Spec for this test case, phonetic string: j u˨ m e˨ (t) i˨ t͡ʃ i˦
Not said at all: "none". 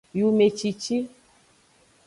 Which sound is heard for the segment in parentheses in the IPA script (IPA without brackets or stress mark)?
t͡ʃ